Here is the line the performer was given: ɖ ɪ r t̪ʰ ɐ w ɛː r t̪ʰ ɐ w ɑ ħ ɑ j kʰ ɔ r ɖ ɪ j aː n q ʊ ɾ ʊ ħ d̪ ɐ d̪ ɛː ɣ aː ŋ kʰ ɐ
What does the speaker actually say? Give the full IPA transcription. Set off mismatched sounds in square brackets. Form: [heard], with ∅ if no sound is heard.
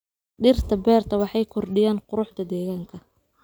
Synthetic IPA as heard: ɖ ɪ r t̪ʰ ɐ [b] ɛː r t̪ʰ ɐ w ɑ ħ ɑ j kʰ ɔ r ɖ ɪ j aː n q ʊ ɾ ʊ ħ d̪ ɐ d̪ ɛː ɣ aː ŋ kʰ ɐ